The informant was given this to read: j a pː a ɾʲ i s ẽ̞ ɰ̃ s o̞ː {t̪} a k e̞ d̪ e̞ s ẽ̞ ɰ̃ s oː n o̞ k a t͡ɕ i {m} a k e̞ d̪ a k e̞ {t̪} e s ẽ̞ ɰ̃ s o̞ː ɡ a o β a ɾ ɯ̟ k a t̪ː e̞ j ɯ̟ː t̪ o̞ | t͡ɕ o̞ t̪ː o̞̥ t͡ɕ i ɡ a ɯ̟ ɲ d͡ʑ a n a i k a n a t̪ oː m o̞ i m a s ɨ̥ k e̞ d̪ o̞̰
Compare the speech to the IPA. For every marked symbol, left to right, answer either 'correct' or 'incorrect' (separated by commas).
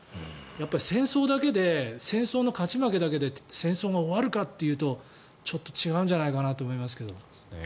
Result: incorrect, correct, incorrect